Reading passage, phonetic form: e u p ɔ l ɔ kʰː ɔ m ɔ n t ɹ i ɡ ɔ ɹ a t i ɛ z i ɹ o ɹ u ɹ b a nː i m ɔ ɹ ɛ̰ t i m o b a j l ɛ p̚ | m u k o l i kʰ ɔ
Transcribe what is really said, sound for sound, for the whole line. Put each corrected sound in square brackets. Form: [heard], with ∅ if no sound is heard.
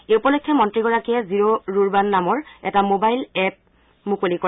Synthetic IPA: e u p ɔ l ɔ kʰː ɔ m ɔ n t ɹ i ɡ ɔ ɹ a [k] i ɛ z i ɹ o ɹ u ɹ b a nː [a] m ɔ ɹ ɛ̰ t [a] m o b a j l ɛ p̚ | m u k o l i [k] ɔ